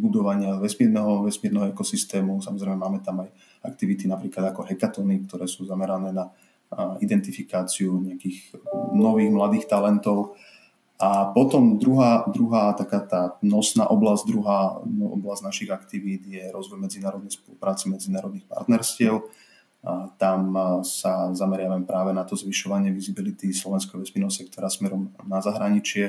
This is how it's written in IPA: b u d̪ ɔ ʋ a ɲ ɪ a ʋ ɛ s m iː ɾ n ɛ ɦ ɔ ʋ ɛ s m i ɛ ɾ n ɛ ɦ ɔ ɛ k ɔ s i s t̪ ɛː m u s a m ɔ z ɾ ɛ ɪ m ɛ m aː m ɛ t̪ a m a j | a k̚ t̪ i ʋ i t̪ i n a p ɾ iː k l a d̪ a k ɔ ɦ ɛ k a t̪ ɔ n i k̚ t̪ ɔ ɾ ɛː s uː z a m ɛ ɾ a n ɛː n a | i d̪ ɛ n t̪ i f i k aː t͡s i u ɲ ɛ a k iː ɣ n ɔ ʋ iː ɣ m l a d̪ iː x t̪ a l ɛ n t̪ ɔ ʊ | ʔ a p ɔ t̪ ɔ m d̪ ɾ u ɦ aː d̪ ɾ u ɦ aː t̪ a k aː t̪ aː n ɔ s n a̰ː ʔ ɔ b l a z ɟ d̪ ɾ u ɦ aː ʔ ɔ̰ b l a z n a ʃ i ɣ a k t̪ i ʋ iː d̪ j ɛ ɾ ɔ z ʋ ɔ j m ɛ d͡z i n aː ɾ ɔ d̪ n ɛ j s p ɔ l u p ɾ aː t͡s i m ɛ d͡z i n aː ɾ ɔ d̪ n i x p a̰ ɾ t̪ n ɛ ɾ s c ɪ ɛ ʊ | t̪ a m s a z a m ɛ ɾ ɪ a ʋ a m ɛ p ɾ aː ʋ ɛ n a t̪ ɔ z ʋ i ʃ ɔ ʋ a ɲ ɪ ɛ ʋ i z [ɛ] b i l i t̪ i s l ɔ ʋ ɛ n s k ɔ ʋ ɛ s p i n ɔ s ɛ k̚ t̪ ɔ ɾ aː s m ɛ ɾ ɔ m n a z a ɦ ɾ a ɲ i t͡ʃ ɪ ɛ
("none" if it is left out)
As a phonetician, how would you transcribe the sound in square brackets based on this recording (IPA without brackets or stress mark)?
i